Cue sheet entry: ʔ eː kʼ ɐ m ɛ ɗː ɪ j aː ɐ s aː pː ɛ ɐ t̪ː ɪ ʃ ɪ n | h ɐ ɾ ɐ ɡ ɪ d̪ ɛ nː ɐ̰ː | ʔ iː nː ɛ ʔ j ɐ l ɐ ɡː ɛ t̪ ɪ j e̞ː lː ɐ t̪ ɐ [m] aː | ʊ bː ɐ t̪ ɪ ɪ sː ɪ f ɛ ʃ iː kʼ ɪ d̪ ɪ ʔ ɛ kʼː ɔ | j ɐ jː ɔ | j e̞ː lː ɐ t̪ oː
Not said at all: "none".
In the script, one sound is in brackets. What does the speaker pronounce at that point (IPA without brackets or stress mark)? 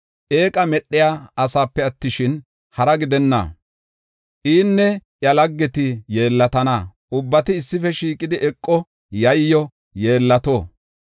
n